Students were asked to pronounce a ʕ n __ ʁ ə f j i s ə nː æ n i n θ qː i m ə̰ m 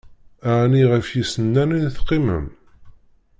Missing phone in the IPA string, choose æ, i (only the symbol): i